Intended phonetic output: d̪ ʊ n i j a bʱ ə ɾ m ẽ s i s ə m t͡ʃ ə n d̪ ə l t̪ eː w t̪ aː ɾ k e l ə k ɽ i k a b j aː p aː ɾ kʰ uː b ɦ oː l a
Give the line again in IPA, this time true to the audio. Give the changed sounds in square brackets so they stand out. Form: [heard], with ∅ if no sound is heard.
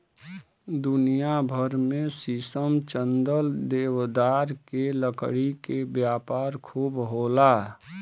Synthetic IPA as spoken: d̪ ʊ n i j a bʱ ə ɾ m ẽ s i s ə m t͡ʃ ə n d̪ ə l [d̪] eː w [d̪] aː ɾ k e l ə k ɽ i k [e] b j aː p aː ɾ kʰ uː b ɦ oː l a